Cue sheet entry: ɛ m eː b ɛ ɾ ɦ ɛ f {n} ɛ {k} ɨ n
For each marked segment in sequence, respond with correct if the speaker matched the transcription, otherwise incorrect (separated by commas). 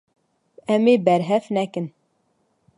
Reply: correct, correct